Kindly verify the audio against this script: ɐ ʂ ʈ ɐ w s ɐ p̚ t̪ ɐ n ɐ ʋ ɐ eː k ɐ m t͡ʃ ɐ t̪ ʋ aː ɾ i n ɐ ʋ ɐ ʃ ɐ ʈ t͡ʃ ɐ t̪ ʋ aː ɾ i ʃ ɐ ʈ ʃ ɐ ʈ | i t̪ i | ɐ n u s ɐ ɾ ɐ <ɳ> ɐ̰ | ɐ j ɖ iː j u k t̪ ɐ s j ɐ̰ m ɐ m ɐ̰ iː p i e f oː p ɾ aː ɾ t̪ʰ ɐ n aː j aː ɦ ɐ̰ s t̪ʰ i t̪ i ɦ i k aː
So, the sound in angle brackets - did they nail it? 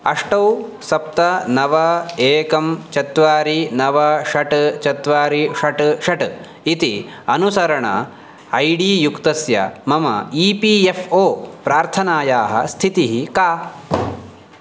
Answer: yes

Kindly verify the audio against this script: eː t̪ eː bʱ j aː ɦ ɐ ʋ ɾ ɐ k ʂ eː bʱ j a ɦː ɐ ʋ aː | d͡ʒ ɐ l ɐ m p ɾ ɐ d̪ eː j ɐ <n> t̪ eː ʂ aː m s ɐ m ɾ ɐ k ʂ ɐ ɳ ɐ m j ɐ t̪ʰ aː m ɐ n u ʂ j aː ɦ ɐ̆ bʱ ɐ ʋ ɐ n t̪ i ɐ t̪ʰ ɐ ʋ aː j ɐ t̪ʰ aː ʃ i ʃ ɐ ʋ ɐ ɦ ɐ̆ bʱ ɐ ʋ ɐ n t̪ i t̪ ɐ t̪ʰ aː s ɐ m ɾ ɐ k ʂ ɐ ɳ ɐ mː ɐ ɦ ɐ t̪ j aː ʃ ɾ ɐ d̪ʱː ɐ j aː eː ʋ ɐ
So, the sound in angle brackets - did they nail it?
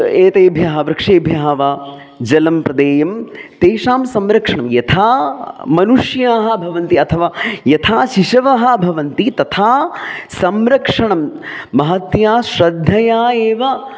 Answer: no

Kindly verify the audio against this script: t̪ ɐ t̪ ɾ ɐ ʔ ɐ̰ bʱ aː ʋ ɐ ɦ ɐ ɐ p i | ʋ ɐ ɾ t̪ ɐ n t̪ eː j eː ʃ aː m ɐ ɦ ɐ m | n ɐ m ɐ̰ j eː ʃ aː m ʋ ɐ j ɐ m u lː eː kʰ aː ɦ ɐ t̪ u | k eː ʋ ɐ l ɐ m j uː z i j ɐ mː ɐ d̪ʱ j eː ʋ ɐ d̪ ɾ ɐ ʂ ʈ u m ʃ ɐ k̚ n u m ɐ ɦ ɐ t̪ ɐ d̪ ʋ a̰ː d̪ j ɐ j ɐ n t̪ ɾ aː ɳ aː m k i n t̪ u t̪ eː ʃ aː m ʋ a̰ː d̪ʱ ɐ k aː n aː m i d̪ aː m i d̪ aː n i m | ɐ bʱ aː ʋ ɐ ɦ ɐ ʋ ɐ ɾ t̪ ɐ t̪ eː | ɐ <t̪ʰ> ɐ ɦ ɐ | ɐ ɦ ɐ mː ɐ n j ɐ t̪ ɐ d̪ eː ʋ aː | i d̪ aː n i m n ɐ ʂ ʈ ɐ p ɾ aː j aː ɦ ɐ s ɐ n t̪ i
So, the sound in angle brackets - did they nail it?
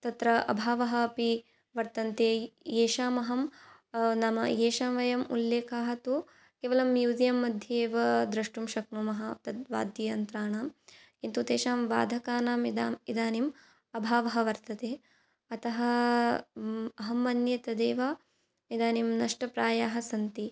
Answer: no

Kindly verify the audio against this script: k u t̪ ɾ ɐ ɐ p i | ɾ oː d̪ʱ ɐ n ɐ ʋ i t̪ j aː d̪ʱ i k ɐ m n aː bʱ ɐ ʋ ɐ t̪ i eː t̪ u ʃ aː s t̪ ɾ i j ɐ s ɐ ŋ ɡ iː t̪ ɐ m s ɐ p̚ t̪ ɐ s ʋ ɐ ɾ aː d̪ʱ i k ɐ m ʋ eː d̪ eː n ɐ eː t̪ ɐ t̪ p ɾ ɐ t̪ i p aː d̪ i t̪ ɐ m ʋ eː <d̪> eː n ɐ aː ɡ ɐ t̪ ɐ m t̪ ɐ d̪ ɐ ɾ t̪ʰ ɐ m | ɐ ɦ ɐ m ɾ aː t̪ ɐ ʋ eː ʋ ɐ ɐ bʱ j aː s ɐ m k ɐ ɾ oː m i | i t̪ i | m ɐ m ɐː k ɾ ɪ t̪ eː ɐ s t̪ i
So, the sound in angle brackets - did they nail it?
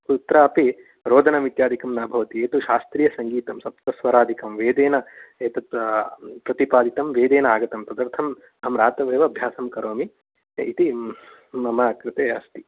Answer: yes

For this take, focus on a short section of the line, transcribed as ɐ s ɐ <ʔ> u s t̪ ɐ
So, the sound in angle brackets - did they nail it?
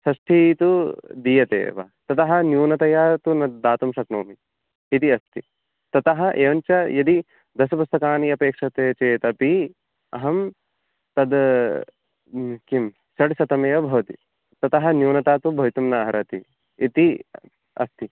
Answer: no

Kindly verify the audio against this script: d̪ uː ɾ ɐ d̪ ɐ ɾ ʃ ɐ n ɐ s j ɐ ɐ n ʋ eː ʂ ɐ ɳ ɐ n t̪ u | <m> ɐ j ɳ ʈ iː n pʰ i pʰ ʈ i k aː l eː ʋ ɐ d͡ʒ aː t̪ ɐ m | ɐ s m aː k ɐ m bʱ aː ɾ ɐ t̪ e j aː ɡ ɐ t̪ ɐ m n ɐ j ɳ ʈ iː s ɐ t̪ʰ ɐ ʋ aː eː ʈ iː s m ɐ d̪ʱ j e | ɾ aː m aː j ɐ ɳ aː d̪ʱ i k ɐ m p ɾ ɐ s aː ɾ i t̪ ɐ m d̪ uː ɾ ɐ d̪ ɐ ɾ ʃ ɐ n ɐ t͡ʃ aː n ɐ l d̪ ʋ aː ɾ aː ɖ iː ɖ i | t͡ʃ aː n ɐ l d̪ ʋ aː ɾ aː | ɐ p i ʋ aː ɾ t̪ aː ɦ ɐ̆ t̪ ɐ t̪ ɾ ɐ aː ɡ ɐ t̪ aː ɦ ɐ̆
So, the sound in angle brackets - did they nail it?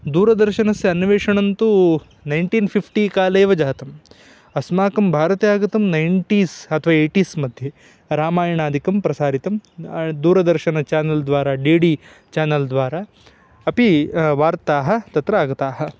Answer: no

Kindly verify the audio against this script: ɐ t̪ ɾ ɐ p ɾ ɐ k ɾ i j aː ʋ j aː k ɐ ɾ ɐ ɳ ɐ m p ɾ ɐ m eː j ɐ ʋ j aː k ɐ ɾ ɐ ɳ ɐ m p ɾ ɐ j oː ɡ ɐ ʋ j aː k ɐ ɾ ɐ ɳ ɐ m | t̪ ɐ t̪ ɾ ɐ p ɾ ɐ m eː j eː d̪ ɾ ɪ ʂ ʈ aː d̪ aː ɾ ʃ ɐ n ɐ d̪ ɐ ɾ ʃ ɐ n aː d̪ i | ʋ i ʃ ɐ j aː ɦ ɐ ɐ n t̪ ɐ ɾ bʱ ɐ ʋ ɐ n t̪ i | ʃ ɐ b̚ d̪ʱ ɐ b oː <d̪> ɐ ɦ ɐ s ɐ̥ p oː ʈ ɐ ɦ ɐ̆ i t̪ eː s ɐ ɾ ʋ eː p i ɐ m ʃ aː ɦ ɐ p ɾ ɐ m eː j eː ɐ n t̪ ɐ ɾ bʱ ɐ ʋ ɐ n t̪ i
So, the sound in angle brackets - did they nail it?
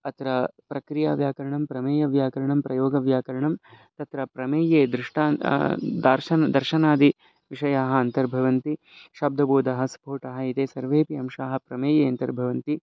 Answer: yes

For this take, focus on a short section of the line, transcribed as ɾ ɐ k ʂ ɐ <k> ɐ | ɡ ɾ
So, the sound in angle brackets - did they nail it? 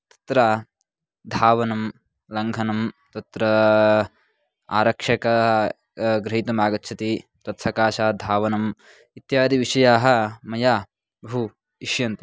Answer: yes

